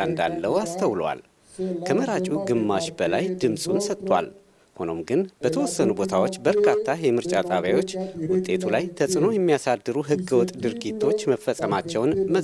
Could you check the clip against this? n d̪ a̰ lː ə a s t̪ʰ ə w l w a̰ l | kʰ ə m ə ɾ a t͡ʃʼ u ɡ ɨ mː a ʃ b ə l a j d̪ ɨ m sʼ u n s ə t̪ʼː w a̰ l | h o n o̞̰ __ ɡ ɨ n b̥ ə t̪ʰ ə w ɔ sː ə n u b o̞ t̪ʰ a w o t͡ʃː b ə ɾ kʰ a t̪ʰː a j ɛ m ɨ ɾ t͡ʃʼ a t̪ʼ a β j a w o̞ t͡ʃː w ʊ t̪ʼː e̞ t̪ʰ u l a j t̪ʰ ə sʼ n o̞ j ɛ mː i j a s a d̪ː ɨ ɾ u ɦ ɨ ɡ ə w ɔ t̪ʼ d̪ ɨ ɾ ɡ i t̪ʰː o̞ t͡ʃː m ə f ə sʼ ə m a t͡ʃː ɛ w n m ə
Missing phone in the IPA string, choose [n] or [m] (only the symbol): m